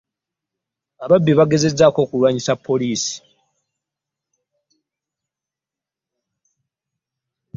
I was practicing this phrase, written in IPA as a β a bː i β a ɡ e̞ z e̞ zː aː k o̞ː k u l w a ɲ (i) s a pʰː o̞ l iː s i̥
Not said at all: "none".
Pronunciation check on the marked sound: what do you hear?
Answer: i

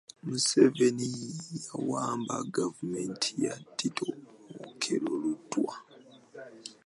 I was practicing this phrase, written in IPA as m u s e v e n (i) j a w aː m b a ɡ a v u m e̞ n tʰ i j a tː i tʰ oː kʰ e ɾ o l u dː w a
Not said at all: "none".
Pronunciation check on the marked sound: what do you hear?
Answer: i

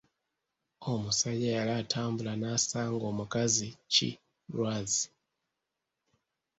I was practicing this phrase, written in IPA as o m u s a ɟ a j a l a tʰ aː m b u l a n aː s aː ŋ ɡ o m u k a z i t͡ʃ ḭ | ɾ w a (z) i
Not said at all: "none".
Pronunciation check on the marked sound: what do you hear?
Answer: z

